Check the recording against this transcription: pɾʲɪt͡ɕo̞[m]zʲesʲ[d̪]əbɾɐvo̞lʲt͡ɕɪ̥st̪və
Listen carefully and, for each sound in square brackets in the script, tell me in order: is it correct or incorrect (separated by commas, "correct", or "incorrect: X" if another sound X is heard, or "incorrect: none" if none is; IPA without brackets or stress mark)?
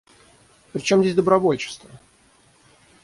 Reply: correct, correct